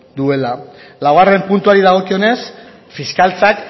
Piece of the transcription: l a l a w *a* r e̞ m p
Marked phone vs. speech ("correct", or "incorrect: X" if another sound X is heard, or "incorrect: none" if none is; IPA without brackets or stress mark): correct